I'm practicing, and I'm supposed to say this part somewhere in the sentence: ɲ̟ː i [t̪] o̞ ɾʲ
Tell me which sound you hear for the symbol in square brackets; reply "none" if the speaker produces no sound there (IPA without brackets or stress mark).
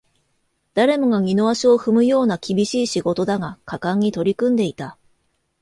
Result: t̪